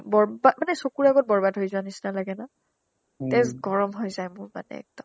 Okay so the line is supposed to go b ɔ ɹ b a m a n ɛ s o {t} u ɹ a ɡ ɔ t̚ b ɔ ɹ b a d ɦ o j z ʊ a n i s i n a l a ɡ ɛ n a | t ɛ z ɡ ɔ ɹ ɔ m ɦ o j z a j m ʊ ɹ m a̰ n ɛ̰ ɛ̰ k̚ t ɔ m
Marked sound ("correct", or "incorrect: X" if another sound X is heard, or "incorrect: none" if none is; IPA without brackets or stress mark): incorrect: k